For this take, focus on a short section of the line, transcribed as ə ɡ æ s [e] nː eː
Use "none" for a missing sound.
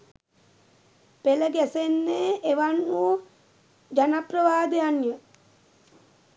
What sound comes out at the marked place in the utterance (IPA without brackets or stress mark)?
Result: e